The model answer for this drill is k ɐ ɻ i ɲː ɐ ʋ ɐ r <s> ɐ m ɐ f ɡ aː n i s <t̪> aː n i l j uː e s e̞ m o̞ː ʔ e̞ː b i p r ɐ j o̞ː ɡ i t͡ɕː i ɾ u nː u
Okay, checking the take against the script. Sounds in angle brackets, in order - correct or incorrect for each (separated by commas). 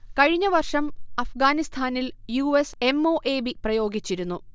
incorrect, incorrect